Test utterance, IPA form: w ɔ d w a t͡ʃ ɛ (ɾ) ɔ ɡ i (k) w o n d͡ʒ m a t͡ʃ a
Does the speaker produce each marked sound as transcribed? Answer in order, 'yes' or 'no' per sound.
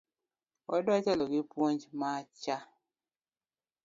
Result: no, no

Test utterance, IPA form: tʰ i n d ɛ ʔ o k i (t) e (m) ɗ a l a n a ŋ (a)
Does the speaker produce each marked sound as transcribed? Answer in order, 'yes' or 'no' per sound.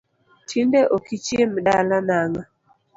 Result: no, yes, yes

